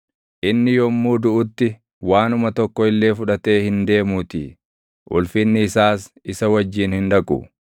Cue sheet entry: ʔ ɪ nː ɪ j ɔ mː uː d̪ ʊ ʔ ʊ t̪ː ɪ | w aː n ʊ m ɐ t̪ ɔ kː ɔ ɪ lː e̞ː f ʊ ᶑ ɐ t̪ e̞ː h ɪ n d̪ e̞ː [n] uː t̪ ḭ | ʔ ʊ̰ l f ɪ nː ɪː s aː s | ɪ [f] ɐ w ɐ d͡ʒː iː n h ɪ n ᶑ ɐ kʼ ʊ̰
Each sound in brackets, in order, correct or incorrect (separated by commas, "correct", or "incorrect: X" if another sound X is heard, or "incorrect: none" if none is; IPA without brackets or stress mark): incorrect: m, incorrect: s